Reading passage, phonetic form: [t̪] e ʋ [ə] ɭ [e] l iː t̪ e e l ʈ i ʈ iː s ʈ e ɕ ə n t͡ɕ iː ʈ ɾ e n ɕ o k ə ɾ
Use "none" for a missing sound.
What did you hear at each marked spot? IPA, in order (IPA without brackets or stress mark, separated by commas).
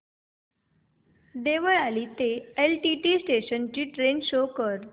d̪, ə, a